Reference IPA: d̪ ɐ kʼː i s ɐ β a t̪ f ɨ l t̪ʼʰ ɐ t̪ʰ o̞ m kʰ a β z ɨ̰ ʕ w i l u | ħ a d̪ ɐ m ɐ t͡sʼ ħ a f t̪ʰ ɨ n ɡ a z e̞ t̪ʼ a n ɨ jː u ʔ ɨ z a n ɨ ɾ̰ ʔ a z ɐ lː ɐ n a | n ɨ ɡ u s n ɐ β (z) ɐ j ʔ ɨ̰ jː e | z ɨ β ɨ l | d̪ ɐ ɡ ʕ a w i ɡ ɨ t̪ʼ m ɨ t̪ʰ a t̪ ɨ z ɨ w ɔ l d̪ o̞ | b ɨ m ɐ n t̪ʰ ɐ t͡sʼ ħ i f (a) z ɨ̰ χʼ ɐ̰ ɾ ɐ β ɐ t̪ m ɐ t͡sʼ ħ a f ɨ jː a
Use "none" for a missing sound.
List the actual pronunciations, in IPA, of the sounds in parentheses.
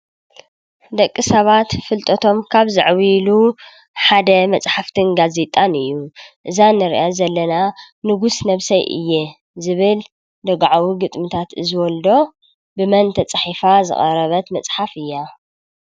s, a

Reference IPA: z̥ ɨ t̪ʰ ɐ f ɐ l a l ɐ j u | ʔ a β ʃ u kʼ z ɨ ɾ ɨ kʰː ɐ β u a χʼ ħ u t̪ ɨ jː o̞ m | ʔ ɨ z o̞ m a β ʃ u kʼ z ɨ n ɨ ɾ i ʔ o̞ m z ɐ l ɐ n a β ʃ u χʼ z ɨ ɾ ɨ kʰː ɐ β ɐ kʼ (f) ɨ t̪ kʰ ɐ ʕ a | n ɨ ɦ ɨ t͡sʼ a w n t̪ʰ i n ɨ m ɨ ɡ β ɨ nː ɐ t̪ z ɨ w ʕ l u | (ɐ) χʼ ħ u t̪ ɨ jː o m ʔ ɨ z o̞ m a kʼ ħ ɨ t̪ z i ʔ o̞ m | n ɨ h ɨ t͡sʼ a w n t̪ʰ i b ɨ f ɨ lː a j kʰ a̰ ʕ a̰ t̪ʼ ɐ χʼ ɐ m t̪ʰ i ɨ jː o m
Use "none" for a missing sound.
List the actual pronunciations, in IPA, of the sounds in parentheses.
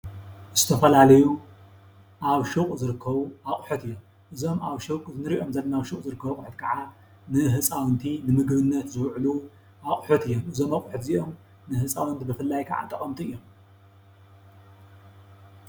ħ, a

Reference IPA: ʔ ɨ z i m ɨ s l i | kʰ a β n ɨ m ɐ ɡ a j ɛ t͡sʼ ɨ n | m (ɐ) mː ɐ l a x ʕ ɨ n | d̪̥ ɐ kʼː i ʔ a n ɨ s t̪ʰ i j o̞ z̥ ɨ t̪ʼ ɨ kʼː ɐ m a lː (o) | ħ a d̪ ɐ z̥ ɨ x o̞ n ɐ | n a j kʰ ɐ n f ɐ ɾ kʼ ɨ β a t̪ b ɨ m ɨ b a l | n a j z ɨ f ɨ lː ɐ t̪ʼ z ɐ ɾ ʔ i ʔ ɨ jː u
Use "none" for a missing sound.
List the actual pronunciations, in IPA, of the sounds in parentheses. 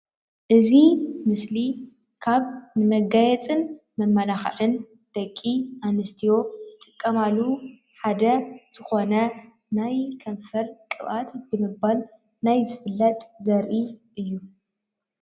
ɐ, u

